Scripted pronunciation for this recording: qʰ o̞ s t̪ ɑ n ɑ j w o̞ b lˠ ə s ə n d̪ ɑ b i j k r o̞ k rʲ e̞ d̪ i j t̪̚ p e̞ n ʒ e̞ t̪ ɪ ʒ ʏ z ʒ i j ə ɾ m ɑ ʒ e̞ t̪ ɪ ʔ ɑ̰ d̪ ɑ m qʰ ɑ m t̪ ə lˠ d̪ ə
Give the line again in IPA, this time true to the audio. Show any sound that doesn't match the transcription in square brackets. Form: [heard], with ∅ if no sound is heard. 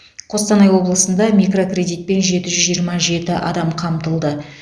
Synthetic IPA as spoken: qʰ o̞ s t̪ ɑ n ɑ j w o̞ b lˠ ə s ə n d̪ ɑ [m] i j k r o̞ k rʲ e̞ d̪ i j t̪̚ p e̞ n ʒ e̞ t̪ ɪ ʒ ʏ z ʒ i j ə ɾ m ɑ ʒ e̞ t̪ ɪ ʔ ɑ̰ d̪ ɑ m qʰ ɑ m t̪ ə lˠ d̪ ə

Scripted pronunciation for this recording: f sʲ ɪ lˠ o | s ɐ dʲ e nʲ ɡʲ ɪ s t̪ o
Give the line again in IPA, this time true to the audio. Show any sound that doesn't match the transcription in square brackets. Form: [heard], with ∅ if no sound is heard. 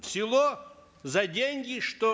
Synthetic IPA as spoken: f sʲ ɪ lˠ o | [z] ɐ dʲ e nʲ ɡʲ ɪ [ʂ] t̪ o

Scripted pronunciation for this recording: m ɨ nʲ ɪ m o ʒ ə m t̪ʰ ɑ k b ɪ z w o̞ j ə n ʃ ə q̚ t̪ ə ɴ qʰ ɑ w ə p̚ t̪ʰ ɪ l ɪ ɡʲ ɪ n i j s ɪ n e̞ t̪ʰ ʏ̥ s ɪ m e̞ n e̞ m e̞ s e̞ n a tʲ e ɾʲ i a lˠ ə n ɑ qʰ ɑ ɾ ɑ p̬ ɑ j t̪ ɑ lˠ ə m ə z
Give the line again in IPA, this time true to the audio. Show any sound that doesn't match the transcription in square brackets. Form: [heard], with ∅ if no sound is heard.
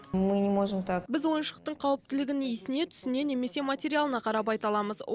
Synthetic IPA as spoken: m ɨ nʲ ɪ m o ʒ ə m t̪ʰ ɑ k b ɪ z w o̞ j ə n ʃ ə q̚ t̪ ə ɴ qʰ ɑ w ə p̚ [t̪] ɪ l ɪ ɡʲ ɪ n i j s ɪ n e̞ t̪ʰ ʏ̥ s ɪ [n] e̞ n e̞ m e̞ s e̞ [m] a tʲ e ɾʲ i a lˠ ə n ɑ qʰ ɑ ɾ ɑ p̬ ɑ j t̪ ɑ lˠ [ɑ] m ə z

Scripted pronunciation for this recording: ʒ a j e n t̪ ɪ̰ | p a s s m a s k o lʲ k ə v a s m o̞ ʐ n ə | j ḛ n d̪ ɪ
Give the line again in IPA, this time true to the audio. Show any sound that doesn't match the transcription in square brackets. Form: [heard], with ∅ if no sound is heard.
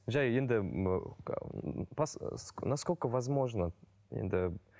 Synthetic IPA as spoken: ʒ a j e n [d̪] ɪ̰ | p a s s [n] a s k o lʲ k ə v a [z] m o̞ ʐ n ə | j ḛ n d̪ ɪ

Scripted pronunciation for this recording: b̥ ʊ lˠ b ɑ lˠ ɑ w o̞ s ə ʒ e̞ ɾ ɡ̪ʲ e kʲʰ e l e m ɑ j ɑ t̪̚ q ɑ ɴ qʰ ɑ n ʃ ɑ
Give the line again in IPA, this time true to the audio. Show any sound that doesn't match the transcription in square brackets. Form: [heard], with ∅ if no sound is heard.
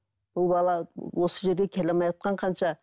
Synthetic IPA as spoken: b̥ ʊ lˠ b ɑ lˠ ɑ w o̞ s ə ʒ e̞ ɾ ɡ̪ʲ e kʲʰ e l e m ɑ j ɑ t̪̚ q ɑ ɴ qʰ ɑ n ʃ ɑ

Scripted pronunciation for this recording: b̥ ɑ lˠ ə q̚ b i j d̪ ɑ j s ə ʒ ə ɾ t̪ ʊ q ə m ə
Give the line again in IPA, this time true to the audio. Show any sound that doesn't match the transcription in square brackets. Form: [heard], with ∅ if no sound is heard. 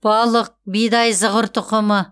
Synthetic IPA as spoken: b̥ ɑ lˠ ə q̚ b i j d̪ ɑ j [z] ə [ʁ] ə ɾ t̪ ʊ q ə m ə

